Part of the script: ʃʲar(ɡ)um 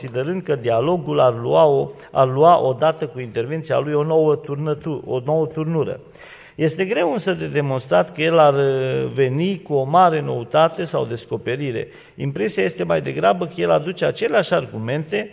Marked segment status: correct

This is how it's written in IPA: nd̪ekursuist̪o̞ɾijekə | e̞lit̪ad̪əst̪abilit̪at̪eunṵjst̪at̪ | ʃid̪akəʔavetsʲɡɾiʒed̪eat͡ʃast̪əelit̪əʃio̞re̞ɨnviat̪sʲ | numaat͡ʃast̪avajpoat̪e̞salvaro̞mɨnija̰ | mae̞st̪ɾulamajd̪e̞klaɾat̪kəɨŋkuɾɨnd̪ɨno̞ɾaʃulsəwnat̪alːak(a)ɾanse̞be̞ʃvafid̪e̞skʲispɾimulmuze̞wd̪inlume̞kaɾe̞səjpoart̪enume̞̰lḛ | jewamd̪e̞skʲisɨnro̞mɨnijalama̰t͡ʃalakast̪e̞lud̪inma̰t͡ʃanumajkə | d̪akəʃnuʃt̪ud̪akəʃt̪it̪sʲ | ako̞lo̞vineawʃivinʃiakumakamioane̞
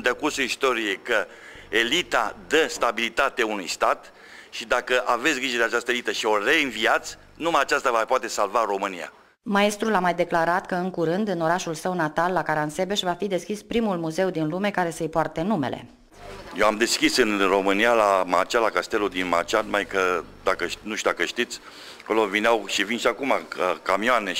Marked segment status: correct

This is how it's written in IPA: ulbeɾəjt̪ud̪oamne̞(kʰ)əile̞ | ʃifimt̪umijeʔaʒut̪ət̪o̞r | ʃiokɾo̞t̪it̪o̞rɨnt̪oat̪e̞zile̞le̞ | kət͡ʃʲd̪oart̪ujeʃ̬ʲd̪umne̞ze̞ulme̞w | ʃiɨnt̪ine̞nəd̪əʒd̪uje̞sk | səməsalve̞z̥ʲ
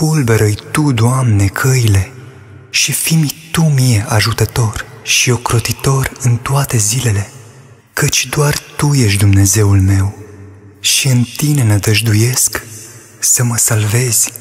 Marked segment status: correct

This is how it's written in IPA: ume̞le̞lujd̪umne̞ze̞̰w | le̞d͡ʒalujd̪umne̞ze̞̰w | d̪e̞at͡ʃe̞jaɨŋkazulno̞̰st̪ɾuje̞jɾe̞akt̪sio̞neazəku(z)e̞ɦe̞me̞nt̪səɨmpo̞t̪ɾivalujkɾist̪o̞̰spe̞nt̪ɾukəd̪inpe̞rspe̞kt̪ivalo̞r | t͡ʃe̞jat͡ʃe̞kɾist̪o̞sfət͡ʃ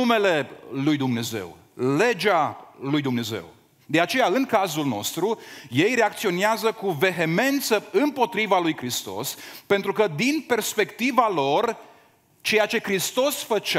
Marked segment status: incorrect: v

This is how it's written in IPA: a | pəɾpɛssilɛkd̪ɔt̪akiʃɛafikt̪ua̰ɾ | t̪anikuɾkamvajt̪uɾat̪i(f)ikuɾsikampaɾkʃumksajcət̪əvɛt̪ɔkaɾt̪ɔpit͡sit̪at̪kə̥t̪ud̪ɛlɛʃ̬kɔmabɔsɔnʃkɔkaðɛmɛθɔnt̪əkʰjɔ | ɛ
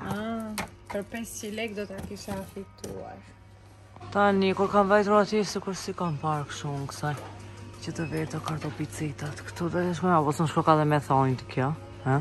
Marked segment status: incorrect: s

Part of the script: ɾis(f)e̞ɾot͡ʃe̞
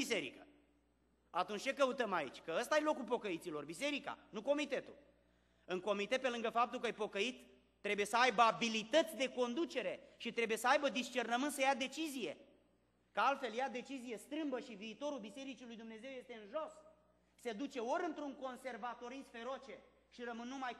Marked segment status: correct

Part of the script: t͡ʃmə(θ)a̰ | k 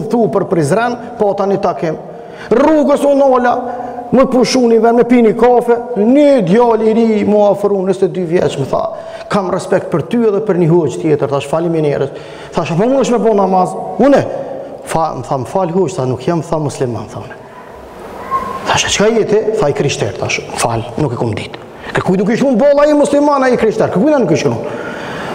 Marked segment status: correct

